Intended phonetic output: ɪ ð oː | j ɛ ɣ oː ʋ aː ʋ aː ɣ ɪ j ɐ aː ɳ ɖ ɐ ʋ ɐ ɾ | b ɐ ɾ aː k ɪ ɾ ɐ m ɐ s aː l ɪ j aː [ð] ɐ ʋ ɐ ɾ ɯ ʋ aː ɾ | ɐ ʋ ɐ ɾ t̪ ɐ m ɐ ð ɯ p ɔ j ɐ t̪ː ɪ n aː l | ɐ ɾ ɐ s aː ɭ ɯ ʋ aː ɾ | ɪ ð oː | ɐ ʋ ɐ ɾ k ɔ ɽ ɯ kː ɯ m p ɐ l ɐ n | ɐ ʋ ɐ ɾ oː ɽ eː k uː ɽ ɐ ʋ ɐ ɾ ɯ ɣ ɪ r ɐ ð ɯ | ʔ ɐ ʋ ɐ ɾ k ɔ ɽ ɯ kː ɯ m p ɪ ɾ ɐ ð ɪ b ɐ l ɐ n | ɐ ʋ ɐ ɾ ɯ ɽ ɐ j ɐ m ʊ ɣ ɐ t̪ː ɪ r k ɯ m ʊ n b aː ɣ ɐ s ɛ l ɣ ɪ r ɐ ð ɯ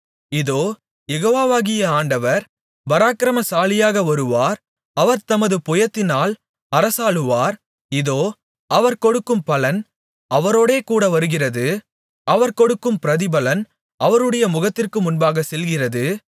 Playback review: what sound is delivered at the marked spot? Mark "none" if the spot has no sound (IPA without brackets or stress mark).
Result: ɣ